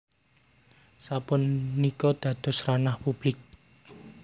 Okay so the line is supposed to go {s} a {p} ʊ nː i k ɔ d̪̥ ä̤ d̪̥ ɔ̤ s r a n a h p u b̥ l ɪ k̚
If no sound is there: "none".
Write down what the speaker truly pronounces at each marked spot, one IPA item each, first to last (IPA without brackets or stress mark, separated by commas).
s, p